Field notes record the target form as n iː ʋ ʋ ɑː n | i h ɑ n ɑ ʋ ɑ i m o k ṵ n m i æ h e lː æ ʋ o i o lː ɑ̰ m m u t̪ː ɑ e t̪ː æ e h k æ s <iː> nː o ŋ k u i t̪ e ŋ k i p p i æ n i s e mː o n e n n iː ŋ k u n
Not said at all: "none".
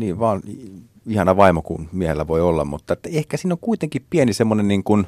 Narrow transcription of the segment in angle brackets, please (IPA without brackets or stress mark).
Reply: iː